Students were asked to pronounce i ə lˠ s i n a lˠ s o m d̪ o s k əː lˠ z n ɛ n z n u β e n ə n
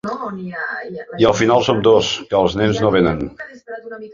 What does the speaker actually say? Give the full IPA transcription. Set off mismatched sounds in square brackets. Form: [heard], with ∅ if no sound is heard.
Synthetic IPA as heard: i ə lˠ [f] i n a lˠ s o m d̪ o s k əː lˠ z n ɛ n z n [o] β e n ə n